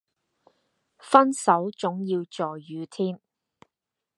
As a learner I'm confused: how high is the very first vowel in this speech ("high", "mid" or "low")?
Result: low